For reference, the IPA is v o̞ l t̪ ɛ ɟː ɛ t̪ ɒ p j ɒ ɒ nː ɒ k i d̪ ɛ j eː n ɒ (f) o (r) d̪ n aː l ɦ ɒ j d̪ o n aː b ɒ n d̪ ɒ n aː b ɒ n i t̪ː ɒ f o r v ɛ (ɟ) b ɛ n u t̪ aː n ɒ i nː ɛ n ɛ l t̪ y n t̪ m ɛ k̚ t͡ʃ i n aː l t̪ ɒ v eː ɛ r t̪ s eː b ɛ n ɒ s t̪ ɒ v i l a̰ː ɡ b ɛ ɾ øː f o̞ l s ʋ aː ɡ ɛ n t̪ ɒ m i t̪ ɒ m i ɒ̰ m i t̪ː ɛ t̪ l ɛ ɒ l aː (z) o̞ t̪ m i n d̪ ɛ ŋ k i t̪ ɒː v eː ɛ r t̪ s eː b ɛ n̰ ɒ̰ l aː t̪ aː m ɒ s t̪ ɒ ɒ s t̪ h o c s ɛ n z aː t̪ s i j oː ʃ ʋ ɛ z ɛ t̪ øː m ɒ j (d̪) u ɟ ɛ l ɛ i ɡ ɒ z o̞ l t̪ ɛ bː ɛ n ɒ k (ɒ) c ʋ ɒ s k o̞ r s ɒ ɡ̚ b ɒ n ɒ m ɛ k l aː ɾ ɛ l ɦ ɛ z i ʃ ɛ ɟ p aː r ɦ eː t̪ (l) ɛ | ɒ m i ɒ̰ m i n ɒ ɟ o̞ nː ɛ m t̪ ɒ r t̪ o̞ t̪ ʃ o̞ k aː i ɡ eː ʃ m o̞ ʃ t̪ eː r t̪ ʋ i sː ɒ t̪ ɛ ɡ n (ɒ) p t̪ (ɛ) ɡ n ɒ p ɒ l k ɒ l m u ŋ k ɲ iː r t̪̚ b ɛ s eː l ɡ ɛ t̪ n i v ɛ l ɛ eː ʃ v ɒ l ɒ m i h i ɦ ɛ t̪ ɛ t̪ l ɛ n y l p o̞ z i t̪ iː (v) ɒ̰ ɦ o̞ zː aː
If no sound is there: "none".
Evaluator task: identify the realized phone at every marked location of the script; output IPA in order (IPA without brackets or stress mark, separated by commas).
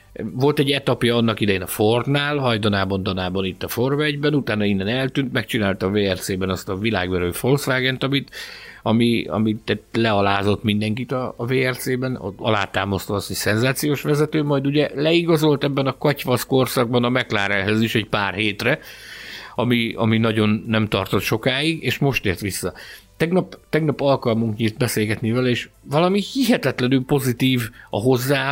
f, r, ɟ, z, d̪, ɒ, r, ɒ, ɛ, v